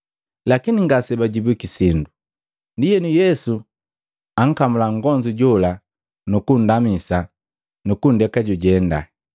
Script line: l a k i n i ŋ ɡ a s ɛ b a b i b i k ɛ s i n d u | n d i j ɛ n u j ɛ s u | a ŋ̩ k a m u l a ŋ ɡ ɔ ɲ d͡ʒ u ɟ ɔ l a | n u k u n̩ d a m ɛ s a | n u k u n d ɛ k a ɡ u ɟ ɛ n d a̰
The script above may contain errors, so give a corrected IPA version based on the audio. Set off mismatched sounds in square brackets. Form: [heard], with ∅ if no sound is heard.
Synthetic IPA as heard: l a k i n i ŋ ɡ a s ɛ b a [ɟ] i b i k [i] s i n d u | n d i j ɛ n u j ɛ s u | a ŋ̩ k a m u l a ŋ ɡ ɔ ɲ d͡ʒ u ɟ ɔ l a | n u k u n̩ d a m [i] s a | n u k u n d ɛ k a [ɟ] u ɟ ɛ n d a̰